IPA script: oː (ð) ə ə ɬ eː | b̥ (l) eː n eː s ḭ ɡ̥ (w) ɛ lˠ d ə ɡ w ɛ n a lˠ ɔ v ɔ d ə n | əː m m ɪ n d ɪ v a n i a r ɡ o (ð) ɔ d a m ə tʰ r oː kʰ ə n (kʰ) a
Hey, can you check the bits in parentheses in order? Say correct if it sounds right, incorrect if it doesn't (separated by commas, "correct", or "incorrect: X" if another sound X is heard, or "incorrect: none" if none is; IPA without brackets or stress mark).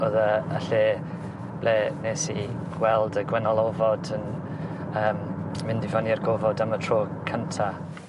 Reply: correct, correct, correct, incorrect: v, incorrect: tʰ